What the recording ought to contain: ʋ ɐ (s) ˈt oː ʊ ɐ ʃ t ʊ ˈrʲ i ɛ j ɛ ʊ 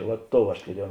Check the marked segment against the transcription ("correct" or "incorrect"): incorrect